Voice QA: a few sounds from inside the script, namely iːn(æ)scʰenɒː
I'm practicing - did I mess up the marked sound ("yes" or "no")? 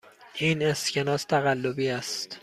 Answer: yes